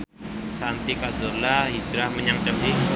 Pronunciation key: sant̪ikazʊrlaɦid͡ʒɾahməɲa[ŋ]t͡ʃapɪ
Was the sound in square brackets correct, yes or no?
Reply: yes